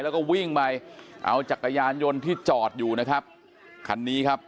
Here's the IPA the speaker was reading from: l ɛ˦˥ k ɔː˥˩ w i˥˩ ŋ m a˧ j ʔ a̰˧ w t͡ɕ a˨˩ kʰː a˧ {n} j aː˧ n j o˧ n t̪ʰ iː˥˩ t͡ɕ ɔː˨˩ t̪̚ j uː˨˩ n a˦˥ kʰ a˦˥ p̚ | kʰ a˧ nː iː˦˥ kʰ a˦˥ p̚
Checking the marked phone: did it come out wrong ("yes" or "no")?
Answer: yes